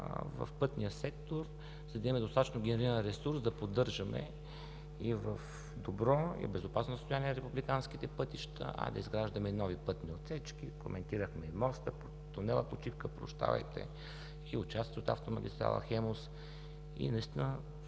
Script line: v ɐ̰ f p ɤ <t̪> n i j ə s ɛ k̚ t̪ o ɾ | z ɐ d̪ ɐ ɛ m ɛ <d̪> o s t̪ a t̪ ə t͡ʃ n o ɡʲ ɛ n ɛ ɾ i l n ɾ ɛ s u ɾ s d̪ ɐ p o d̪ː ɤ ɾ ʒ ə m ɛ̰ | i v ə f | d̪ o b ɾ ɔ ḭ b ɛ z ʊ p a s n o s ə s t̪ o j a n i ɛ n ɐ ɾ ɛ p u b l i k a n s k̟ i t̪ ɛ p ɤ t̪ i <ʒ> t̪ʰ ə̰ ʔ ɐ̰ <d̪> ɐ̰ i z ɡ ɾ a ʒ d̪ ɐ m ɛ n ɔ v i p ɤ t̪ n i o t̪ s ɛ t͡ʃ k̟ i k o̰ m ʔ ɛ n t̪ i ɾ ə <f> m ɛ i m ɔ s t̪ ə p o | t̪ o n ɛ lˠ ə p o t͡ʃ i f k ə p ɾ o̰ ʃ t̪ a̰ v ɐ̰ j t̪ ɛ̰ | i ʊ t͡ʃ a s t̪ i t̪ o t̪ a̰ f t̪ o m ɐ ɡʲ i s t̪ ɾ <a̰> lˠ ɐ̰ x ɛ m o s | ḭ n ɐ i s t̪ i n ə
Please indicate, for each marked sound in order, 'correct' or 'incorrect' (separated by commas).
correct, correct, incorrect, correct, incorrect, correct